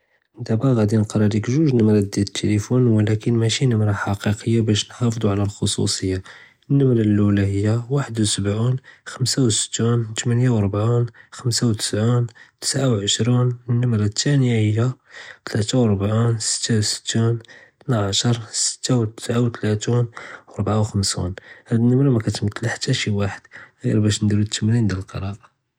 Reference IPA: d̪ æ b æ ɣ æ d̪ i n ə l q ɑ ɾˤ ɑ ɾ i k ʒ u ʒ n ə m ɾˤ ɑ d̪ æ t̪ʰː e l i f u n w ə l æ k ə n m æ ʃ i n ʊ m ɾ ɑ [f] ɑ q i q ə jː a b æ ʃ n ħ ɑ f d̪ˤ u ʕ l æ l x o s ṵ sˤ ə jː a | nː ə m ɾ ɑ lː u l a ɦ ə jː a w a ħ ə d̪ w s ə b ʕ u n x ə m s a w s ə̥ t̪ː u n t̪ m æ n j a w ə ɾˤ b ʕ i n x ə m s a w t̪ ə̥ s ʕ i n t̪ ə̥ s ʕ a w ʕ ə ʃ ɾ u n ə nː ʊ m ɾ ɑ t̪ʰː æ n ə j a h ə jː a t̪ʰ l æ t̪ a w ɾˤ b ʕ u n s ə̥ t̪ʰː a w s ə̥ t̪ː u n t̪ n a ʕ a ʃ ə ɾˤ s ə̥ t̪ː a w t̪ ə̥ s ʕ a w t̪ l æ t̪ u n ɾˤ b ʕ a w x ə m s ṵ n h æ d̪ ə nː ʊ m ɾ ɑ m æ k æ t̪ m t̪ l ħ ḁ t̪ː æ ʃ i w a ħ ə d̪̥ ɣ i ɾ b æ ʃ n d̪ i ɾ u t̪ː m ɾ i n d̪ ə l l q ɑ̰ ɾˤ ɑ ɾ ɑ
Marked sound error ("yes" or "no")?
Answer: yes